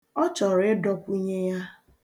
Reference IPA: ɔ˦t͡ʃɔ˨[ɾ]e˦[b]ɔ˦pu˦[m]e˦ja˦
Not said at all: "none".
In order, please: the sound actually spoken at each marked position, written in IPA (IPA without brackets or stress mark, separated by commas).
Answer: ɾ, d, ɲ